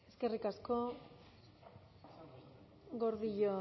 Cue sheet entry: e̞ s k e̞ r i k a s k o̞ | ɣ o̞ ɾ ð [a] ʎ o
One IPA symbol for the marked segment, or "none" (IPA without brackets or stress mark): i